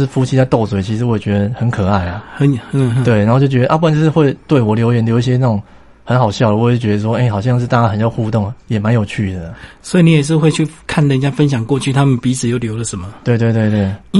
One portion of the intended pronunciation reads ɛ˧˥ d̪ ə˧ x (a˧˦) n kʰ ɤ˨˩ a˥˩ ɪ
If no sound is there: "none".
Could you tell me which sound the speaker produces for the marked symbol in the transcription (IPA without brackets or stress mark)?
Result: ə˧˦